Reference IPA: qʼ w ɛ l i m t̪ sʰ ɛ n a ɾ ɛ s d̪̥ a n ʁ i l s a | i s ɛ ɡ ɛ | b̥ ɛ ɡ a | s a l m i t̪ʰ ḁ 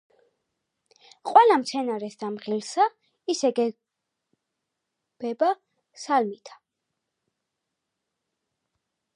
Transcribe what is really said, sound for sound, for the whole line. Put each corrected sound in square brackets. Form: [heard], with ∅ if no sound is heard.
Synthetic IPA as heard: qʼ w ɛ l [a] m t̪ sʰ ɛ n a ɾ ɛ s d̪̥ a [m] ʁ i l s a | i s ɛ ɡ ɛ | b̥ ɛ [b] a | s a l m i t̪ʰ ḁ